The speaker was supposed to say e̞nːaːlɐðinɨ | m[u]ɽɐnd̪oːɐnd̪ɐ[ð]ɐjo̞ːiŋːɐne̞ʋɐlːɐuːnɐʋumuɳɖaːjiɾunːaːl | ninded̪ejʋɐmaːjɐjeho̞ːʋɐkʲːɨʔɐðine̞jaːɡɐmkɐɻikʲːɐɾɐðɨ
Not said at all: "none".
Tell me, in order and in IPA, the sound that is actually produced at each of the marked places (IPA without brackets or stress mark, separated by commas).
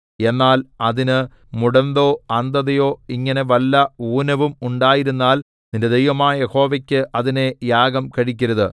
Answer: u, ð